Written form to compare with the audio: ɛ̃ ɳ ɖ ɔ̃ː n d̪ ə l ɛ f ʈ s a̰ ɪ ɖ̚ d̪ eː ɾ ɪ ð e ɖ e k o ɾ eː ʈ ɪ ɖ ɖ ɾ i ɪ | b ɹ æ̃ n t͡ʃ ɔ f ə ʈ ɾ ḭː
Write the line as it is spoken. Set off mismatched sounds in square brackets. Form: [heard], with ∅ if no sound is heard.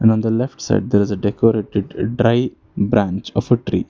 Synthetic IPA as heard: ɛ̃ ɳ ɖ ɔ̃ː n d̪ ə l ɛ f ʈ s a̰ ɪ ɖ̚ d̪ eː ɾ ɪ [z] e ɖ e k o ɾ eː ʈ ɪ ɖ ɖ ɾ [a] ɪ | b [ɾ] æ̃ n t͡ʃ ɔ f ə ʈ ɾ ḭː